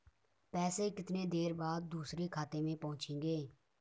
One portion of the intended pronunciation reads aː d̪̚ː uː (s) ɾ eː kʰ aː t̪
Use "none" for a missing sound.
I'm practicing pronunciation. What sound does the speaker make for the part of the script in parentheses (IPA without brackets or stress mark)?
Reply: s